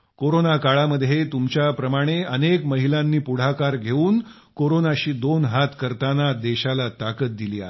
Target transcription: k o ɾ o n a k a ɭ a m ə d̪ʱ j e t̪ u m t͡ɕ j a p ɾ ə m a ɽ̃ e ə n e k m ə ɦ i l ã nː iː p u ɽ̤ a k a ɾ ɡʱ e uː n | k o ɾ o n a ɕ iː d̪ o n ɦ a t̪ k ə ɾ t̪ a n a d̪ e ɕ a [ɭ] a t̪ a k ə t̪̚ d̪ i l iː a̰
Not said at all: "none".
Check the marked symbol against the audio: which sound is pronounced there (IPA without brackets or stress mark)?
l